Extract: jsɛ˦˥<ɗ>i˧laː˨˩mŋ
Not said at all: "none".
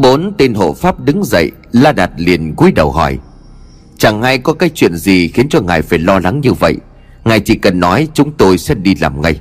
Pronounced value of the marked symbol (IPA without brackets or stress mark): ɗ